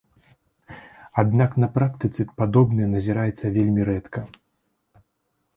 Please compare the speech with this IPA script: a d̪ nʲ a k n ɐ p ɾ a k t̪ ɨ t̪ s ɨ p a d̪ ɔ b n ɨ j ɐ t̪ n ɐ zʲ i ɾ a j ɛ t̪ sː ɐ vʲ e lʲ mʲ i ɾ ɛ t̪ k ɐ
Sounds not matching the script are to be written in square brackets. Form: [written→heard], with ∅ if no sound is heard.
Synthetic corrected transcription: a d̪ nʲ a k n ɐ p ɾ a k t̪ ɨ t̪ s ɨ p a d̪ ɔ b n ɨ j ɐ [t̪→∅] n ɐ zʲ i ɾ a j ɛ t̪ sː ɐ vʲ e lʲ mʲ i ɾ ɛ t̪ k ɐ

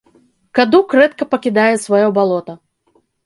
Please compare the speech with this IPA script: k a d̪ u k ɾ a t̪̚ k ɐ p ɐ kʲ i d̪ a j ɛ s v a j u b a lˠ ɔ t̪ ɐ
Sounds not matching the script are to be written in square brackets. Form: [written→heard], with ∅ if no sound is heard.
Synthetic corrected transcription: k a d̪ u k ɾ [a→ɛ] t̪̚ k ɐ p ɐ kʲ i d̪ a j ɛ s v a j [u→ɔ] b a lˠ ɔ t̪ ɐ

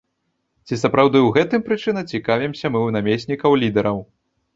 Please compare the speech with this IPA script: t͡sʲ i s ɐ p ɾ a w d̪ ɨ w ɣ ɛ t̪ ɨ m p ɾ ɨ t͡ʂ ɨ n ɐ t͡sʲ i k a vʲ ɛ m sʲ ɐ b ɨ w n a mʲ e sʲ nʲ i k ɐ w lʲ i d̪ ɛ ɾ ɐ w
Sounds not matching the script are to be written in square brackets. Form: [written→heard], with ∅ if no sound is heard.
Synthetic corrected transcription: t͡sʲ i s ɐ p ɾ a w d̪ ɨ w ɣ ɛ t̪ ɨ m p ɾ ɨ t͡ʂ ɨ n ɐ t͡sʲ i k a vʲ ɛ m sʲ ɐ [b→m] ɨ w n a mʲ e sʲ nʲ i k ɐ w lʲ i d̪ ɛ ɾ ɐ w

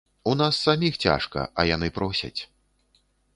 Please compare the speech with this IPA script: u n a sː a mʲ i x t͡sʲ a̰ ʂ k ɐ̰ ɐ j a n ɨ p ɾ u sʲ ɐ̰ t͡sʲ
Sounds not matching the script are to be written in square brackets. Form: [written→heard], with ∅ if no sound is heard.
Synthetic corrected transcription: u n a sː a mʲ i x t͡sʲ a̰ ʂ k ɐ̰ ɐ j a n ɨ p ɾ [u→ɔ] sʲ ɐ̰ t͡sʲ

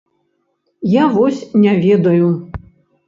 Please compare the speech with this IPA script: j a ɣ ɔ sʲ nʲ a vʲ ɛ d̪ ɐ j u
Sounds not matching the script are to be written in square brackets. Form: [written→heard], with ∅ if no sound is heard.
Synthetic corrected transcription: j a [ɣ→v] ɔ sʲ nʲ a vʲ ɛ d̪ ɐ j u

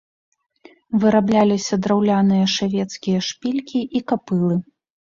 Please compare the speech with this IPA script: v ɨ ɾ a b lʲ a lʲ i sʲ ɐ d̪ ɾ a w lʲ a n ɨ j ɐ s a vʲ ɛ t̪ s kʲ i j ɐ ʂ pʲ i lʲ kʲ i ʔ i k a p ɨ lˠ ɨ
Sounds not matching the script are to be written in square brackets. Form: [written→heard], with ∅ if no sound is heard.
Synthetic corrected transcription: v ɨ ɾ a b lʲ a lʲ i sʲ ɐ d̪ ɾ a w lʲ a n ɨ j ɐ [s→ʂ] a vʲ ɛ t̪ s kʲ i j ɐ ʂ pʲ i lʲ kʲ i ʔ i k a p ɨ lˠ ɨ

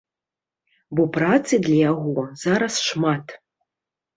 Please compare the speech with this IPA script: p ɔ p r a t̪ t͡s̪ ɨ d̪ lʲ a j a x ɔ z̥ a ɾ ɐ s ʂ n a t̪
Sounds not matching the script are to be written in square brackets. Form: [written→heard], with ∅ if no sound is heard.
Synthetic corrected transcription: [p→b] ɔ p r a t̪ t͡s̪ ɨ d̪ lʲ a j a [x→ɣ] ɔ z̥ a ɾ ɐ s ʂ [n→m] a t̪

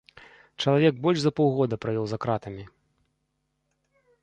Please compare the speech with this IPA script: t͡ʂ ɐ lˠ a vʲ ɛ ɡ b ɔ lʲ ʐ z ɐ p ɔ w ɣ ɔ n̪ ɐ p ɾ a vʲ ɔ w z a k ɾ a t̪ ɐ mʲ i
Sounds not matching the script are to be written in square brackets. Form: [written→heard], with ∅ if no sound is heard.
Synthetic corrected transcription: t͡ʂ ɐ lˠ a vʲ ɛ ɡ b ɔ lʲ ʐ z ɐ p ɔ w ɣ ɔ [n̪→d̪] ɐ p ɾ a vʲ ɔ w z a k ɾ a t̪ ɐ mʲ i

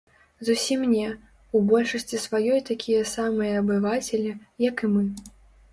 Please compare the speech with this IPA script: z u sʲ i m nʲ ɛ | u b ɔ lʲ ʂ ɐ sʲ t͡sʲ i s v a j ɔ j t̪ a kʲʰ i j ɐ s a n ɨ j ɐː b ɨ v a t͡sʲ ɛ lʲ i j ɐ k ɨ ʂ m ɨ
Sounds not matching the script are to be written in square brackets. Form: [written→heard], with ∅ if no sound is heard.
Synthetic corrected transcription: z u sʲ i m nʲ ɛ | u b ɔ lʲ ʂ ɐ sʲ t͡sʲ i s v a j ɔ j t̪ a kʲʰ i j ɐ s a [n→m] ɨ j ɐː b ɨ v a t͡sʲ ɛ lʲ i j ɐ k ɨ [ʂ→∅] m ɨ

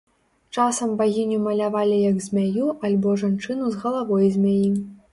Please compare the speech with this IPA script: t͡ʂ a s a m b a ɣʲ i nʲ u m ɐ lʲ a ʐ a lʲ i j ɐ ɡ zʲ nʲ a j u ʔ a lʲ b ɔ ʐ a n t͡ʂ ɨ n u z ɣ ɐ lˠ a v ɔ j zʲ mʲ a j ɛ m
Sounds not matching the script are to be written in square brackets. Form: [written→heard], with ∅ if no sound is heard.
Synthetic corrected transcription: t͡ʂ a s [a→ɐ] m b a ɣʲ i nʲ u m ɐ lʲ a [ʐ→v] a lʲ i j ɐ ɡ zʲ [nʲ→mʲ] a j u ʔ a lʲ b ɔ ʐ a n t͡ʂ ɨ n u z ɣ ɐ lˠ a v ɔ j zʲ mʲ a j [ɛ→i] m

